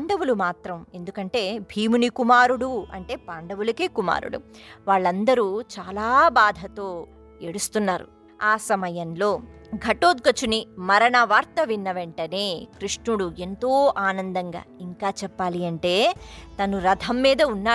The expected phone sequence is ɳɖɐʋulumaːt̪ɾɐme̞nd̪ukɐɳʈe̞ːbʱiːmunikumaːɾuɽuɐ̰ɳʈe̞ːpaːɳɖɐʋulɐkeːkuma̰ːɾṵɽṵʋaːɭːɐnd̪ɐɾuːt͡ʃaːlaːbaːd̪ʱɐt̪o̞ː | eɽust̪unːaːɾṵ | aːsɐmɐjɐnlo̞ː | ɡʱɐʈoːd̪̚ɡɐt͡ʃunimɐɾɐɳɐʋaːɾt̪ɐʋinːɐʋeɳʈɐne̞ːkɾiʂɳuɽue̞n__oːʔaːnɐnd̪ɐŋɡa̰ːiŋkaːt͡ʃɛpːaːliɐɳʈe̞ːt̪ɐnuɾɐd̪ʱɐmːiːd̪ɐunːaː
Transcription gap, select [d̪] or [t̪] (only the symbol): t̪